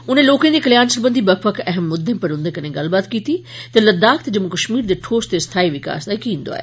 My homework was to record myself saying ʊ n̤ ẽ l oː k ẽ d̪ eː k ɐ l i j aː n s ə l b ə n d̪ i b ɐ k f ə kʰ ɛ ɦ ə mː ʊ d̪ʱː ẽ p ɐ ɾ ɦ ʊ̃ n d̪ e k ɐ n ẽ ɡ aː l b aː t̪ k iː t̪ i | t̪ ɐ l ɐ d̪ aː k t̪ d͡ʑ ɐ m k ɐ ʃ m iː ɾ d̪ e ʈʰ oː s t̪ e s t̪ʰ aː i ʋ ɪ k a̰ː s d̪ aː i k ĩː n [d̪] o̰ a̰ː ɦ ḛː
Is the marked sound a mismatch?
no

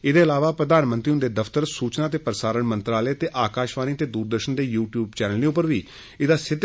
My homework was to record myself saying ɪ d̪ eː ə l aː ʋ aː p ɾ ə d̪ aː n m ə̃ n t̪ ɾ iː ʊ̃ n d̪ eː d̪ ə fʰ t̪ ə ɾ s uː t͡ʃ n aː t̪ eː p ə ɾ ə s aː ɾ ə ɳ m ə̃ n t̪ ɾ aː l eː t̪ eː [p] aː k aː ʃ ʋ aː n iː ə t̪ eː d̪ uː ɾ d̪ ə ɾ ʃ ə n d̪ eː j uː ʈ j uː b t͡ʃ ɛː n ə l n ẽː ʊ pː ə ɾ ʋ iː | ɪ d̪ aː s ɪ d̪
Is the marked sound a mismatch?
yes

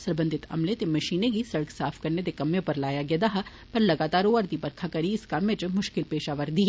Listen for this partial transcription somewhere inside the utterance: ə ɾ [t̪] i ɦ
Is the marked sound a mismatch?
yes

